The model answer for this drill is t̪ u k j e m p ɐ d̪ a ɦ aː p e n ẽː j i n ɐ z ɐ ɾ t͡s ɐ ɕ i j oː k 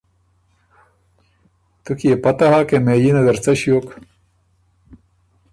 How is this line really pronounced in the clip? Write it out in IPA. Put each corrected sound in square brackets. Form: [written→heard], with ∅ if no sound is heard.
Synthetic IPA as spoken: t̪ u k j e [m→∅] p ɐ [d̪→t̪] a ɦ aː [p→k] e [n→m] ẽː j i n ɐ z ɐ ɾ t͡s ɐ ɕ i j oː k